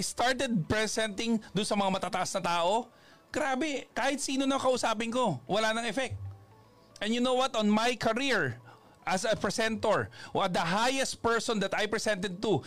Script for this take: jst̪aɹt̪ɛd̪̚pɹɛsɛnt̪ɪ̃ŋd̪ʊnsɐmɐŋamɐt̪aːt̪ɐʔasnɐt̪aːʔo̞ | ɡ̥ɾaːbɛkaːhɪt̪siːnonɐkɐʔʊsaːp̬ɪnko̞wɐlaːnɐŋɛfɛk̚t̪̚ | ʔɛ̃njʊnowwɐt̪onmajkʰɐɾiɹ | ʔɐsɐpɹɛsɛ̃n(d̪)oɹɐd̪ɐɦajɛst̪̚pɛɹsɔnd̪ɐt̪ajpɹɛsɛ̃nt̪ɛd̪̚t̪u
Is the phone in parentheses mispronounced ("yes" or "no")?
yes